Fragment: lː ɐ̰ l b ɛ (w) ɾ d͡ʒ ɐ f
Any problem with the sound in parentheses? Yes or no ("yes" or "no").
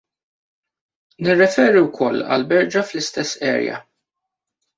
yes